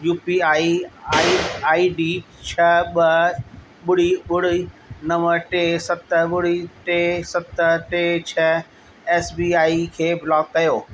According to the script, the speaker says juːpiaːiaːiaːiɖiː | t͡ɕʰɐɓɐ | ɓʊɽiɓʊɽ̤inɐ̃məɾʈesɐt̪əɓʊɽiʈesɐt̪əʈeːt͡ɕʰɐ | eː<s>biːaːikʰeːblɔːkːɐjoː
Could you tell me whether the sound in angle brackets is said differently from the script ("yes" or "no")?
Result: no